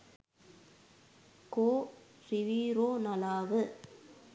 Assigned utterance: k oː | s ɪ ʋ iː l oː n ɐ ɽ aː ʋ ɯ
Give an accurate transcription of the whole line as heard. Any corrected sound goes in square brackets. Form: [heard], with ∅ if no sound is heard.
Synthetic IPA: k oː | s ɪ ʋ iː [ɾ] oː n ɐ [l] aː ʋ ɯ